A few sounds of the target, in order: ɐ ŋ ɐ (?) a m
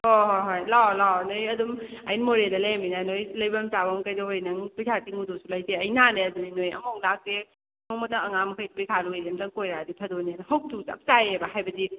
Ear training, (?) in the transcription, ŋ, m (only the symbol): ŋ